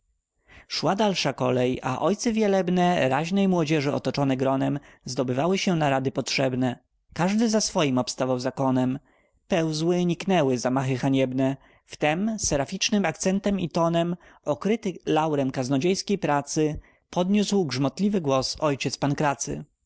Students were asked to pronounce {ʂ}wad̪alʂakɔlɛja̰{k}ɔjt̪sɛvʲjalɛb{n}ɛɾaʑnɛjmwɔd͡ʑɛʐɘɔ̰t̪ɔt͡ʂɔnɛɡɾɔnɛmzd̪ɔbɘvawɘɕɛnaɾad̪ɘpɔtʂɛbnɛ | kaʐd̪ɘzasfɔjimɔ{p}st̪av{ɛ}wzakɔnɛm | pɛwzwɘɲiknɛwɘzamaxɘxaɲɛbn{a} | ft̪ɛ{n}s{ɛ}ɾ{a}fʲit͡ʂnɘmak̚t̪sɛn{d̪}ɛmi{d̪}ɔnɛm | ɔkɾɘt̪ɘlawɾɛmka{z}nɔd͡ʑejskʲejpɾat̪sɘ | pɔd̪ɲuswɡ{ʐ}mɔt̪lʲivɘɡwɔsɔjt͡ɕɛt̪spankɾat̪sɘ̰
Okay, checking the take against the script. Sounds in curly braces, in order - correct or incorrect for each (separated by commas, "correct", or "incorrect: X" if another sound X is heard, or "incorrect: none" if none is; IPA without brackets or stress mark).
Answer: correct, incorrect: ʔ, correct, correct, incorrect: a, incorrect: ɛ, incorrect: m, correct, correct, incorrect: t̪, incorrect: t̪, correct, correct